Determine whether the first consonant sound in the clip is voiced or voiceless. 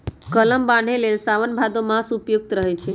voiceless